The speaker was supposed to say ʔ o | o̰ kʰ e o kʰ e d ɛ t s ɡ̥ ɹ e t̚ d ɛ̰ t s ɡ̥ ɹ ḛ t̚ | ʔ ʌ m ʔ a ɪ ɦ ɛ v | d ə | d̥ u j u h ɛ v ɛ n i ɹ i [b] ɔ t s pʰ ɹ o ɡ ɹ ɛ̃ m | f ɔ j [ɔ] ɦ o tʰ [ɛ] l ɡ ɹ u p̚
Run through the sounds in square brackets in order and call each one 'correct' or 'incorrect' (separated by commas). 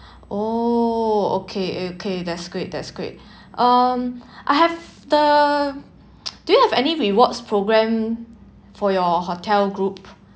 incorrect, correct, correct